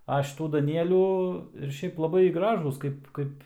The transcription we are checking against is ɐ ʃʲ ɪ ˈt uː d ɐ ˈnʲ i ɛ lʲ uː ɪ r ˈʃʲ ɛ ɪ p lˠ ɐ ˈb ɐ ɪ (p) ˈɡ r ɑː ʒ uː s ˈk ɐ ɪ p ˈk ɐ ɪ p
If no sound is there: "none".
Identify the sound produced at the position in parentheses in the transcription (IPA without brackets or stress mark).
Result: none